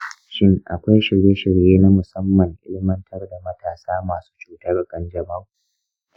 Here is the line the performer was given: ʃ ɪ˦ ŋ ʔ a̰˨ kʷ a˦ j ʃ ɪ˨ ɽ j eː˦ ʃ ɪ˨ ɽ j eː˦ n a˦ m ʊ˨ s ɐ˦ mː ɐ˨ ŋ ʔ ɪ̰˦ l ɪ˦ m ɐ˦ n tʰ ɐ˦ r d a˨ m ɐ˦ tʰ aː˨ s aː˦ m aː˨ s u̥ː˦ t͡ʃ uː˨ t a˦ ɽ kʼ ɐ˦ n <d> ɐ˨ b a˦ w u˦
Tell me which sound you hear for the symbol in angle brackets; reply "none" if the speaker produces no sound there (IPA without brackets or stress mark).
d͡ʒ